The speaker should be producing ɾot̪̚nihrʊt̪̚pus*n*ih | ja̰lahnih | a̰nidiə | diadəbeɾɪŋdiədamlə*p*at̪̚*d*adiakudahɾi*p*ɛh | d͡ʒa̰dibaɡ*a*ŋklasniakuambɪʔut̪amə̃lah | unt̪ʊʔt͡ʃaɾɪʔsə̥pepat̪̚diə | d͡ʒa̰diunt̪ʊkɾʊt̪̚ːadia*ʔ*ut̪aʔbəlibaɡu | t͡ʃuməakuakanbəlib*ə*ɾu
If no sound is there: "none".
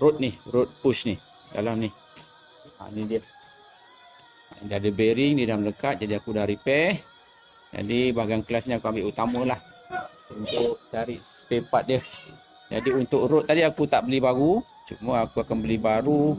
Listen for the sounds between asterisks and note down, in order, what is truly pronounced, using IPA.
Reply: n, k, d͡ʒ, p, a, k, a

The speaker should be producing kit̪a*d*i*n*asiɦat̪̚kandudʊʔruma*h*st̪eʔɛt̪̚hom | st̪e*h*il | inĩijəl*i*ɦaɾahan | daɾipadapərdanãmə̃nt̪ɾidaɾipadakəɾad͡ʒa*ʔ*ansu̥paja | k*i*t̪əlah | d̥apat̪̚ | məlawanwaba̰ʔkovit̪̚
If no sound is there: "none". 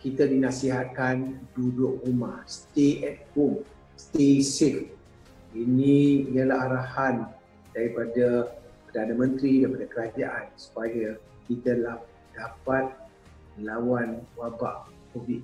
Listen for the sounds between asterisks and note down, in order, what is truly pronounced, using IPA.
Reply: d, n, h, s, a, ʔ, i

